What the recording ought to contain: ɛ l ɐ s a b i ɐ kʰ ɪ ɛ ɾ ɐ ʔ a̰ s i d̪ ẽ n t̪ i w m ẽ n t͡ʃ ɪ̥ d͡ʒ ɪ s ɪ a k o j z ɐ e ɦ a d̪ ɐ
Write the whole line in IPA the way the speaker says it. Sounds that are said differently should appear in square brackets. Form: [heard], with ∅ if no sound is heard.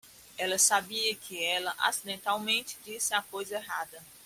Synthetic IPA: ɛ l ɐ s a b i ɐ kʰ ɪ ɛ [l] ɐ ʔ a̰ s i d̪ ẽ n t̪ [a] w m ẽ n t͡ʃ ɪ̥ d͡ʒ [i] s ɪ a k o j z ɐ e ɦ a d̪ ɐ

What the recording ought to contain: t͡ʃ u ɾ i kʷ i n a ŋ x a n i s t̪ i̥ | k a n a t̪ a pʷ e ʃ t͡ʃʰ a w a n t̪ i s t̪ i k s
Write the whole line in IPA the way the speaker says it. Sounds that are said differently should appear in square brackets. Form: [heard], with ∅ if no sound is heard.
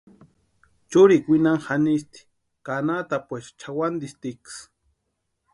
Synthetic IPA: t͡ʃ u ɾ i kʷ i n a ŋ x a n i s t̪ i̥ | k a n a t̪ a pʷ e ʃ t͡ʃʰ a w a n [d̪] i s t̪ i k s

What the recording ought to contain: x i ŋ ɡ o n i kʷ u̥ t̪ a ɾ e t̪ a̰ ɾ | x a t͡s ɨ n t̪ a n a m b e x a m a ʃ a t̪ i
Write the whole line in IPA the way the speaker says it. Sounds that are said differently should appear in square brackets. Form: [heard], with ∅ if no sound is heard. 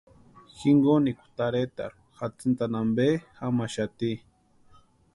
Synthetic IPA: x i ŋ ɡ o n i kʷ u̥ t̪ a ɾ e t̪ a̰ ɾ | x a t͡s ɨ n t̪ a n a m b e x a m a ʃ a t̪ i

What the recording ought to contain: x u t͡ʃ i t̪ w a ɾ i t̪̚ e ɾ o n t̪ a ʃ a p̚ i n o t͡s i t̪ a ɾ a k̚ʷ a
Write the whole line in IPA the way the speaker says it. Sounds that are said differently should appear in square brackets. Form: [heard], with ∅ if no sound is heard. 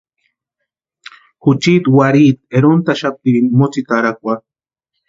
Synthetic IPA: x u t͡ʃ i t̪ w a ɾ i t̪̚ e ɾ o n t̪ a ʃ a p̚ i [m] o t͡s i t̪ a ɾ a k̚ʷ a

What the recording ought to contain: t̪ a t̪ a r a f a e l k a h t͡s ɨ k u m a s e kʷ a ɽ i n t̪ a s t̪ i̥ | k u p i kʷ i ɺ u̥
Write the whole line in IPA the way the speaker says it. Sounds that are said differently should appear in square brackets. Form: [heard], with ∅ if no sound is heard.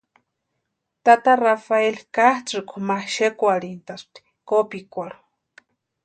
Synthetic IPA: t̪ a t̪ a r a f a e l k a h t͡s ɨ k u m a [ʃ] e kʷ a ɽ i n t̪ a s t̪ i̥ | k [o] p i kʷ [a] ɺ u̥

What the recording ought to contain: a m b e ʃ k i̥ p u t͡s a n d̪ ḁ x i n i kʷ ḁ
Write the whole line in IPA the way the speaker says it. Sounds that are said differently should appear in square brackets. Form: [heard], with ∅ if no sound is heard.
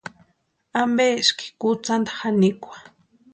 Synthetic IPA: a m b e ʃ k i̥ [k] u t͡s a n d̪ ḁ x [a] n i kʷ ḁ

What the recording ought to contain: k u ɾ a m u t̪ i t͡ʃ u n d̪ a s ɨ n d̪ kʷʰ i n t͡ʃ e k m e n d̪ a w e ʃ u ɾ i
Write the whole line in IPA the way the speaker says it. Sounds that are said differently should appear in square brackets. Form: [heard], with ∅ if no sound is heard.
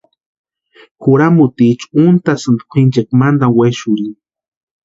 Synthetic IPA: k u ɾ a m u t̪ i t͡ʃ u n [t̪] a s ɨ n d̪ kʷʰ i n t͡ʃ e k m [a] n d̪ a w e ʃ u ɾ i

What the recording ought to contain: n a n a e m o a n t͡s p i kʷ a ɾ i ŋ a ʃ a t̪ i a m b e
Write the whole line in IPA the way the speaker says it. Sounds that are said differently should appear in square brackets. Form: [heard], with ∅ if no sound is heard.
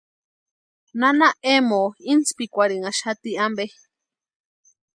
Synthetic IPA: n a n a e m o [i] n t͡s p i kʷ a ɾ i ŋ a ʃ a t̪ i a m b e

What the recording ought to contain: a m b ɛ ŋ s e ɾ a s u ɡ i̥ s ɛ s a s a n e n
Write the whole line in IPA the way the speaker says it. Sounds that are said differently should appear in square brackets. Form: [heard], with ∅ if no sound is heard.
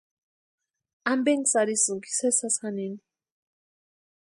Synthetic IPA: a m b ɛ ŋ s [a] ɾ [i] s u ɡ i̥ s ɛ s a s a n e n

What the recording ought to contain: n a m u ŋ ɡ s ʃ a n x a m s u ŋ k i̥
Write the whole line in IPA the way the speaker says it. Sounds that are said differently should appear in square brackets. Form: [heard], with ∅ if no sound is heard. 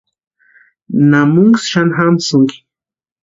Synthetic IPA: n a m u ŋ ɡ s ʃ a n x a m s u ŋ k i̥

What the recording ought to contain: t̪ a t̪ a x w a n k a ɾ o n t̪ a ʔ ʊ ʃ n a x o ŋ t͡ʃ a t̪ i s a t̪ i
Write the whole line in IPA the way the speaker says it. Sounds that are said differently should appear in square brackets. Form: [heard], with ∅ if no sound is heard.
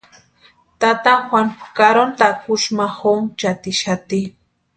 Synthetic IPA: t̪ a t̪ a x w a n k a ɾ o n t̪ a [k] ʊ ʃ [m] a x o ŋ t͡ʃ a t̪ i [ʃ] a t̪ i

